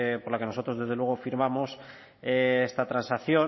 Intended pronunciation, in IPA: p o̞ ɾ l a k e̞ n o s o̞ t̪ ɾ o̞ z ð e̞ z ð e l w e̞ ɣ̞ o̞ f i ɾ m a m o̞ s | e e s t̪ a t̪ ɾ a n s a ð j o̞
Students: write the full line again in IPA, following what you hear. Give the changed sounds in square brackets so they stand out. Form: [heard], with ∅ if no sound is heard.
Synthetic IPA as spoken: p o̞ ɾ l a k e̞ n o s o̞ t̪ ɾ o̞ z ð e̞ z ð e l w e̞ ɣ̞ o̞ f i ɾ m a m o̞ s | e e s t̪ a t̪ ɾ a n s a [θ] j o̞